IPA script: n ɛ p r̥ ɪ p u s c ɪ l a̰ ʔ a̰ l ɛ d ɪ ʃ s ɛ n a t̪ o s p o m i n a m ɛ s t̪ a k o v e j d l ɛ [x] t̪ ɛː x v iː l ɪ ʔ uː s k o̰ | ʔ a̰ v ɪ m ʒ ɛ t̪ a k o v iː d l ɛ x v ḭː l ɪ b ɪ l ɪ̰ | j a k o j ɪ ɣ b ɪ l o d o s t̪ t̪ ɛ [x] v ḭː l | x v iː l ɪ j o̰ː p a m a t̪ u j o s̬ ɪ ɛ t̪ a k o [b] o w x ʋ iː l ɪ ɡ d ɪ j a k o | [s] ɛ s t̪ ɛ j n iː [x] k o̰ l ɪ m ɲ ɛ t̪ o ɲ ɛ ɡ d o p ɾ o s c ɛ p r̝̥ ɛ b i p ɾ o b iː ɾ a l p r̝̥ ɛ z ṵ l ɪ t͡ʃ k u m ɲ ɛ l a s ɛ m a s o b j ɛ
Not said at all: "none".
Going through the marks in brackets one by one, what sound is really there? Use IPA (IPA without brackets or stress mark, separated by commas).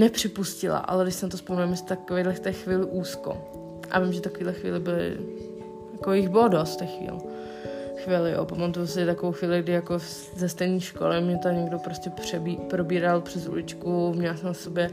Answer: f, x, v, z, ʃ